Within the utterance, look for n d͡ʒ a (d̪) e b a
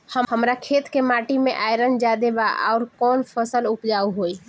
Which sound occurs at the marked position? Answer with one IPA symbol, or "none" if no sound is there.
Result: d̪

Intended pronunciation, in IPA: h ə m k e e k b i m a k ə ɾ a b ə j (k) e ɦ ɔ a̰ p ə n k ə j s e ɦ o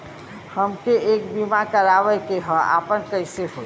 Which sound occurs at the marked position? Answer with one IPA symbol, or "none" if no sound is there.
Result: k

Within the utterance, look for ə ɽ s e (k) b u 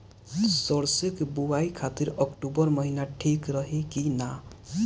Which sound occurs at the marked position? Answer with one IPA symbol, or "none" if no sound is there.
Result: k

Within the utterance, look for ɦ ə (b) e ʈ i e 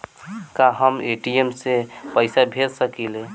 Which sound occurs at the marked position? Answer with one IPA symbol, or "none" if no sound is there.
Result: m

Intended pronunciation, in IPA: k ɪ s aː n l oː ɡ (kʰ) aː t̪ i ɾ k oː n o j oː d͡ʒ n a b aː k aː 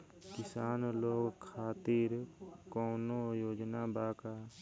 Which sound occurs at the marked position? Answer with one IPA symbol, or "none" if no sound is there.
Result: kʰ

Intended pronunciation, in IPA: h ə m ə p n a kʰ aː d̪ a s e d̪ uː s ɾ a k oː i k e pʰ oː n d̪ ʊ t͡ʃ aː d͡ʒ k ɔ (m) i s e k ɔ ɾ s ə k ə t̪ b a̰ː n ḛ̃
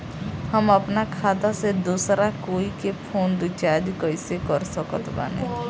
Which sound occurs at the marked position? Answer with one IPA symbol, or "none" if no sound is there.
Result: none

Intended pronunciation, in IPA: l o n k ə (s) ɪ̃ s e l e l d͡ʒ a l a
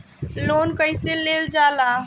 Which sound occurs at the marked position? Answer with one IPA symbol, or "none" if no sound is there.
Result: none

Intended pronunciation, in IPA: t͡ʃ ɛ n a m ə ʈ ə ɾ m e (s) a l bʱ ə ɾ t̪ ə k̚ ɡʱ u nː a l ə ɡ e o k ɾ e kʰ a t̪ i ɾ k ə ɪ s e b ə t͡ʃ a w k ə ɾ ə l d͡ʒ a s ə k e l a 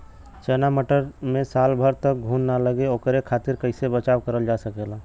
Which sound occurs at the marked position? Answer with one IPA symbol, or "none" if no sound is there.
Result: s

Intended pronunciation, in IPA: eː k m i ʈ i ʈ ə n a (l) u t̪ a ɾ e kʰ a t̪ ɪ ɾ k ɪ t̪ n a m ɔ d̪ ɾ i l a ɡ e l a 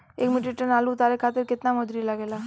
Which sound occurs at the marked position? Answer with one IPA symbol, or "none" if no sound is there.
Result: l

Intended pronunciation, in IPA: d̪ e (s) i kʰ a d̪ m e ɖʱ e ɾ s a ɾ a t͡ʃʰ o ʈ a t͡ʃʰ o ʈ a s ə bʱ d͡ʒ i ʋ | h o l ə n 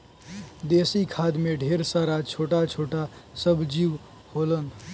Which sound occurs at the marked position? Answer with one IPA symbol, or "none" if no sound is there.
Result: s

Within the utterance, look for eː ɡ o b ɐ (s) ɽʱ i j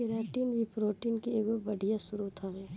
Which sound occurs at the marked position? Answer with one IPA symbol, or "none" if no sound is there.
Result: none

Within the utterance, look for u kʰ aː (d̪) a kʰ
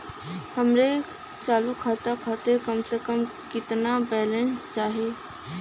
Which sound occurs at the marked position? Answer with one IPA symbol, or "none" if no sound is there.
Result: t̪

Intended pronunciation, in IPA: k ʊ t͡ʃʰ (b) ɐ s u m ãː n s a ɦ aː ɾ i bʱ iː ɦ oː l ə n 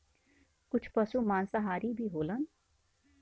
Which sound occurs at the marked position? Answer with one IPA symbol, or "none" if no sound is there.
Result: p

